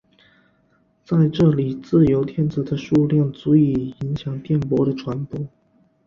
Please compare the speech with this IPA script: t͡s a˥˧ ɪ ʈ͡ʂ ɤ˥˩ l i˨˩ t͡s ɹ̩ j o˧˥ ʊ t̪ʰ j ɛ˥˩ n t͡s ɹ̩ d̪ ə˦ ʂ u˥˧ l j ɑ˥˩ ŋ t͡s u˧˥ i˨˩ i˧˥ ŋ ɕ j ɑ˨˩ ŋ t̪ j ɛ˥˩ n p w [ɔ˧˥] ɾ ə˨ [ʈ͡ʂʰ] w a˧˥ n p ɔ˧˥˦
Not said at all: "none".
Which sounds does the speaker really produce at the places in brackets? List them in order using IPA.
ɔ˧˥, ʈ͡ʂʰ

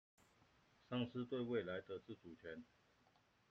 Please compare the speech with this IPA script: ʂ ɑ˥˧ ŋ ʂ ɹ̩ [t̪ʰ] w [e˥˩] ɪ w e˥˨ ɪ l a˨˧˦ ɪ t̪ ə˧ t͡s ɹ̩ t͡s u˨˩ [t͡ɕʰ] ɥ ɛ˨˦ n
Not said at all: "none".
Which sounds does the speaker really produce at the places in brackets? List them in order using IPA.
t̪, e˥˧, t͡ɕʰ

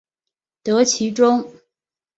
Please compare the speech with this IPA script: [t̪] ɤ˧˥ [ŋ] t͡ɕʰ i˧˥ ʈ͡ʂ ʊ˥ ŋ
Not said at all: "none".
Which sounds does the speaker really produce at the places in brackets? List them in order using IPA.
t̪, none

